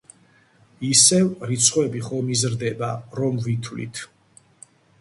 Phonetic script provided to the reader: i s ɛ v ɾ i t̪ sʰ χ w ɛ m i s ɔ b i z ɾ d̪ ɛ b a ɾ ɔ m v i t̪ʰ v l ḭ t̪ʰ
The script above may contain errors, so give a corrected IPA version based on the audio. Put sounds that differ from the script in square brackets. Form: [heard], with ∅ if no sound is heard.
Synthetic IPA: i s ɛ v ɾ i t̪ sʰ χ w ɛ [b] i [χ] ɔ [m] i z ɾ d̪ ɛ b a ɾ ɔ m v i t̪ʰ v l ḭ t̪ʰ